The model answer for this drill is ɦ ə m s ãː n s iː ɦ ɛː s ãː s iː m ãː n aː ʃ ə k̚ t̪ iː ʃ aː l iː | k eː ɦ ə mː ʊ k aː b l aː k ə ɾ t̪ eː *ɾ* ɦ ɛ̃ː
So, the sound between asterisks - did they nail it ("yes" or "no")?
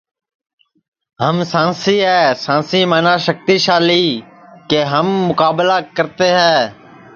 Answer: no